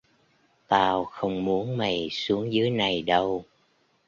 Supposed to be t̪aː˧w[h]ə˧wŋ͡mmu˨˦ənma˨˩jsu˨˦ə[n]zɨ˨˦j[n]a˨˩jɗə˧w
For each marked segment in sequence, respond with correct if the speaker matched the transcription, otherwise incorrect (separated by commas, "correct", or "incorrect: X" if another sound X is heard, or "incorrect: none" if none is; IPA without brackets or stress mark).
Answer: incorrect: x, incorrect: ŋ, correct